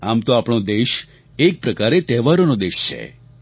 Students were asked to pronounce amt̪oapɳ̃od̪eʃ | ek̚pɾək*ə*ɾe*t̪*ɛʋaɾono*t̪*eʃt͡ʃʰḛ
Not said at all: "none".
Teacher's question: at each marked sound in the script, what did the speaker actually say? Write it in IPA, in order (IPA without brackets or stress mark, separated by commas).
a, t̪, d̪